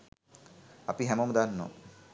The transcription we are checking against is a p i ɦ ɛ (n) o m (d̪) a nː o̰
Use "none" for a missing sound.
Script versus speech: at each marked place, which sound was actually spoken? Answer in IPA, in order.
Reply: m, d̪

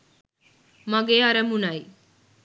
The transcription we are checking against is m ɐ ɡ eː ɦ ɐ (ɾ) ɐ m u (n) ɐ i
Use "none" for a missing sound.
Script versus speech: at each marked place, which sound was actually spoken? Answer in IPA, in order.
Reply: ɾ, n

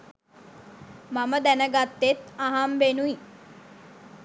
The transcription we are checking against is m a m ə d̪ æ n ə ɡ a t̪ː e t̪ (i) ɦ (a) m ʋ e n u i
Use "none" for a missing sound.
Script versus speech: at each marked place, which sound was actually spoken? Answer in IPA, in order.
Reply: a, a

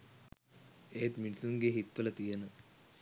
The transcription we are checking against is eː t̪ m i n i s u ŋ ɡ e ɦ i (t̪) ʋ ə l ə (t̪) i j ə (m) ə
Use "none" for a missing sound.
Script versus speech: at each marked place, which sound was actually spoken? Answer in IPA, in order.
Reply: t̪, t̪, n

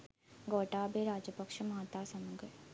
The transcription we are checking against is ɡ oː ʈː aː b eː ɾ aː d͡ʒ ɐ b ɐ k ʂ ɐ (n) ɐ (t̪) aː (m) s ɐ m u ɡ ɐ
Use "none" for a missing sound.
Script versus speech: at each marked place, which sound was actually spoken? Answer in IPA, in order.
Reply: m, t̪, none

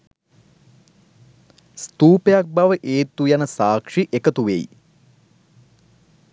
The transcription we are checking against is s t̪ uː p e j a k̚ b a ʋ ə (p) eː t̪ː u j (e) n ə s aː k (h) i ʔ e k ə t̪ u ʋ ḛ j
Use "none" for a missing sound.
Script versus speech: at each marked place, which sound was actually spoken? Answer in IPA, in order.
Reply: ʔ, a, ʂ

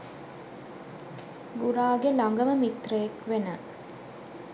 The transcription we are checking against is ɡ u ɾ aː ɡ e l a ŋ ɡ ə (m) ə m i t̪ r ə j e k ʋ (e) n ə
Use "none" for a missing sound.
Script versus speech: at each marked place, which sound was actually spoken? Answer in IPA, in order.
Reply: m, e

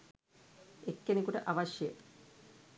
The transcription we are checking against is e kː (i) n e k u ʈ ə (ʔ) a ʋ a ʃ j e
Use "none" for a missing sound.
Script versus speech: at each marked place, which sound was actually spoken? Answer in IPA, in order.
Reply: e, ʔ

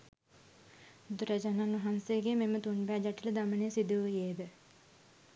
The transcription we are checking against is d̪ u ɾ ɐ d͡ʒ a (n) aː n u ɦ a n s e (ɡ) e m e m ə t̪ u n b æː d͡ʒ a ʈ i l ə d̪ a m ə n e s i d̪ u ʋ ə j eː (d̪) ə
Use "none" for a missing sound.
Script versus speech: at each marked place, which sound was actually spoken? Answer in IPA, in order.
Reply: n, ɡ, d̪

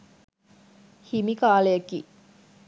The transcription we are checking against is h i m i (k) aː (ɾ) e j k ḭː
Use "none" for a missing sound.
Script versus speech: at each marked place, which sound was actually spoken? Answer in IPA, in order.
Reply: k, l

